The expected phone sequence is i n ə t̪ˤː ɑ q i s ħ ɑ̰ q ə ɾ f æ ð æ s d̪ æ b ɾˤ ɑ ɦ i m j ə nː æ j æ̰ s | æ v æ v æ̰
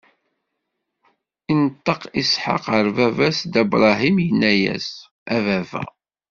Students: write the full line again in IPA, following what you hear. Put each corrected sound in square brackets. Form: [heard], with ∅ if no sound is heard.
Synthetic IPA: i n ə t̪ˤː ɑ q i s ħ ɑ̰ q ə ɾ [v] æ [v] æ s d̪ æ b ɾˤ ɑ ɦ i m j ə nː æ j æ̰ s | æ v æ v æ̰